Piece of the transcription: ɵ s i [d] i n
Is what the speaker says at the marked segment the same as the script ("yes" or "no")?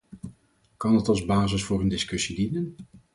yes